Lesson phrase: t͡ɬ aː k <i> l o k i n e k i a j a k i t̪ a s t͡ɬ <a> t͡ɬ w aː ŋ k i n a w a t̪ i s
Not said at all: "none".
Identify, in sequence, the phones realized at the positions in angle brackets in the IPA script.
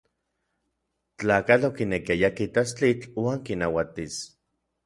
a, i

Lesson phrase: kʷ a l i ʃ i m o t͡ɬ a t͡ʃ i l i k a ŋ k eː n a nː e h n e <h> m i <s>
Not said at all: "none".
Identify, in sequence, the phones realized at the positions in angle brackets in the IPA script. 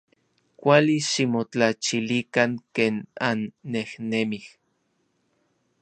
none, h

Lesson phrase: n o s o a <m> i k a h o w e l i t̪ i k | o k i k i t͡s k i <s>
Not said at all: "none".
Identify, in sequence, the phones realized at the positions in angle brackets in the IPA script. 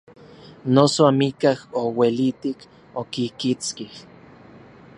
m, h

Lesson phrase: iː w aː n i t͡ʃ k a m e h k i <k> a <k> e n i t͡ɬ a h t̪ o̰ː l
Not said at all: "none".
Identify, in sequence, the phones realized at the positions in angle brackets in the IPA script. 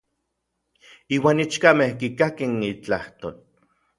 k, k

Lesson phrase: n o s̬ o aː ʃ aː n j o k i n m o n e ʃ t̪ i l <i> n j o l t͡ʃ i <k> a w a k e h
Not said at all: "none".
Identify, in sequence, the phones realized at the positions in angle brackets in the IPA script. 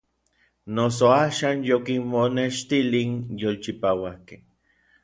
i, p

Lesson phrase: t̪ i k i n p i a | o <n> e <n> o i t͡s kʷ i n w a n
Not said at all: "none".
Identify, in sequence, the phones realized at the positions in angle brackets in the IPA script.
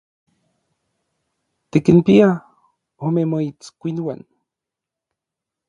m, m

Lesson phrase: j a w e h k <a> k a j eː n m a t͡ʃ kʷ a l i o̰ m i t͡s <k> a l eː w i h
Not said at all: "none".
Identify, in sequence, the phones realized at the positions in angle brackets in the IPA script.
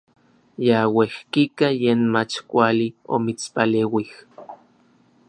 i, p

